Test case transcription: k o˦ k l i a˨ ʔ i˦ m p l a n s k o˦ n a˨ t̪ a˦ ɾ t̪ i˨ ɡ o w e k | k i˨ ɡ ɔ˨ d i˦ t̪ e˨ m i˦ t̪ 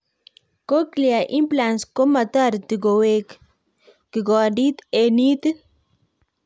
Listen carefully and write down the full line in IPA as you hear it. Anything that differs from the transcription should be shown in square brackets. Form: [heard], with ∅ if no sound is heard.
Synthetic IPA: k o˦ k l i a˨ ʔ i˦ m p l a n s k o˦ [m] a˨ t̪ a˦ ɾ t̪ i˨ ɡ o w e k | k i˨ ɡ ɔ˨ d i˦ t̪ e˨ [n] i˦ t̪